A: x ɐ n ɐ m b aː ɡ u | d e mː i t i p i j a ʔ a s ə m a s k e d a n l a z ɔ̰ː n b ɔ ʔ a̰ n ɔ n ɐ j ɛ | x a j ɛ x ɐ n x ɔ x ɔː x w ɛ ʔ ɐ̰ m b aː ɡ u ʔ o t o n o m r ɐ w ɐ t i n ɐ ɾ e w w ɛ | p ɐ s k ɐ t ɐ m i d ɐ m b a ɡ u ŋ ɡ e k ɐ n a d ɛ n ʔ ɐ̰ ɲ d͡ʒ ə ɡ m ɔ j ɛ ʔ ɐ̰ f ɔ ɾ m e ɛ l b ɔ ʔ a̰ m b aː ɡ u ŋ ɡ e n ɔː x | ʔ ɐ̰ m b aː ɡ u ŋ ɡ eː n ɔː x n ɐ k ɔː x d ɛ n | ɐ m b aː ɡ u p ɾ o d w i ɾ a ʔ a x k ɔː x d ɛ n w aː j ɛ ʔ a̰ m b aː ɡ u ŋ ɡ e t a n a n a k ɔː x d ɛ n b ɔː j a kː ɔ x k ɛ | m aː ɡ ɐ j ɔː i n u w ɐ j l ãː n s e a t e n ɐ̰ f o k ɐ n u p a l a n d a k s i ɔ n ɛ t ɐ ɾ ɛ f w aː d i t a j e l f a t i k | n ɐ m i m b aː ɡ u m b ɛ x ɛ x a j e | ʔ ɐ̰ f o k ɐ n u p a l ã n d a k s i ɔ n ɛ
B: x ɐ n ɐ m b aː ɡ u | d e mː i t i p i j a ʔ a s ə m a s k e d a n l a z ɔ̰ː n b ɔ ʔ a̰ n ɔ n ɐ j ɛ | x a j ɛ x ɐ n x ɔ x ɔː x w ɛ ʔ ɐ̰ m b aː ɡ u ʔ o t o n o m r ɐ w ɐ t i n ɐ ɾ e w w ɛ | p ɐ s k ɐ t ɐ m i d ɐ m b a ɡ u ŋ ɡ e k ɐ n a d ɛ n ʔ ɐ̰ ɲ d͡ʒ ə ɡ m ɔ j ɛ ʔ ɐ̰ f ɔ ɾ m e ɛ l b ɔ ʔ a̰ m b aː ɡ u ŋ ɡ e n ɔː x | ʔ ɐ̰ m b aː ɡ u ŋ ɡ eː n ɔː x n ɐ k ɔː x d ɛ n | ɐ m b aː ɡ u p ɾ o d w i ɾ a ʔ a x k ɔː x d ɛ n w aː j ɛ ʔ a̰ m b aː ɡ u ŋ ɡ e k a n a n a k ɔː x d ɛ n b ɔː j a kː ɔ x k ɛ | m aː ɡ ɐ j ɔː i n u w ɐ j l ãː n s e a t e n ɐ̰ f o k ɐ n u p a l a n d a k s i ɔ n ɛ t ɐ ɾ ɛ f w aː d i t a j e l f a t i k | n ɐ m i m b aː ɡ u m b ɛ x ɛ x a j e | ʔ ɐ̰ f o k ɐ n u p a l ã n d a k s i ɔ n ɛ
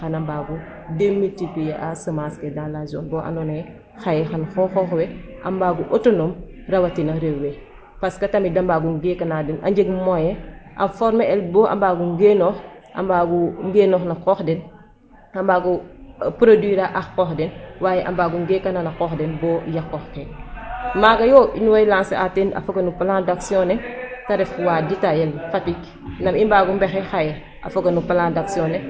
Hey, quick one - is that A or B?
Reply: B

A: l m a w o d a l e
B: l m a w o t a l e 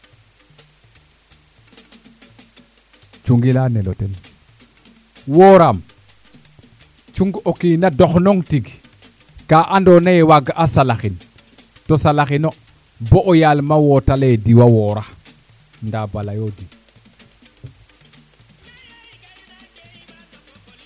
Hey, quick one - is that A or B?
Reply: B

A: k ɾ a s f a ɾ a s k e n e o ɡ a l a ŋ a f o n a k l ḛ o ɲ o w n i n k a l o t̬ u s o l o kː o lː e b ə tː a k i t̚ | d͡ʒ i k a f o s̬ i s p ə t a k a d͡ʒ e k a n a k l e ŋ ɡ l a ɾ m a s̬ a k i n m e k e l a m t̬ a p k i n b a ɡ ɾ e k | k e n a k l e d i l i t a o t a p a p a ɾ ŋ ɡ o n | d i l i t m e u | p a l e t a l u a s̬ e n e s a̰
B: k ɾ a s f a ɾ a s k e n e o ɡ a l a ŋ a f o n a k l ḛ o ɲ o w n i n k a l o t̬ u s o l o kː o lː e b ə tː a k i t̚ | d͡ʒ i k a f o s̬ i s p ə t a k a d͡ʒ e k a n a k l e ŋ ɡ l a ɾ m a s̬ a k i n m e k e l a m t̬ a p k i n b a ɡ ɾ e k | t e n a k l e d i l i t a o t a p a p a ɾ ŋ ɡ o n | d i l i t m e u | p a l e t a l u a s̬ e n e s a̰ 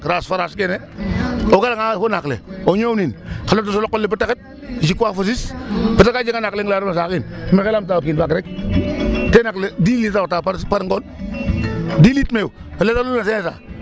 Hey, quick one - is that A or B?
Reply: B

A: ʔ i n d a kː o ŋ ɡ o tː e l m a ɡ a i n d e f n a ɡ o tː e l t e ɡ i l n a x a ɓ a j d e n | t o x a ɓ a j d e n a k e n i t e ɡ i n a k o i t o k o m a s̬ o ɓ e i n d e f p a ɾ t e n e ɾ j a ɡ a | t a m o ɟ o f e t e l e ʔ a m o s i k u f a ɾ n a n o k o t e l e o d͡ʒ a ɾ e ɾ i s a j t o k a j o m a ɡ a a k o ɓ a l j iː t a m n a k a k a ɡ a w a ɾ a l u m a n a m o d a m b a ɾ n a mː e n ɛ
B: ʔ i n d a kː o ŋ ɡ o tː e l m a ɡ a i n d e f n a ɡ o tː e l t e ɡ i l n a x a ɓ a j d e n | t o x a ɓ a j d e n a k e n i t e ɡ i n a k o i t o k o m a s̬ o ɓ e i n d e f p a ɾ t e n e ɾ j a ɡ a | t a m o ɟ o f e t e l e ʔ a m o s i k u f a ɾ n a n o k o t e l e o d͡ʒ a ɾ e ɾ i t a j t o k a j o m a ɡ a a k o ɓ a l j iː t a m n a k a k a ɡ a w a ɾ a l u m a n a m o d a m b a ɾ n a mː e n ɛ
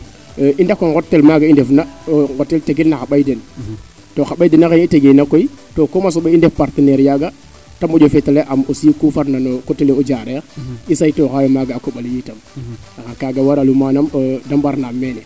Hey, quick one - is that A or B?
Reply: A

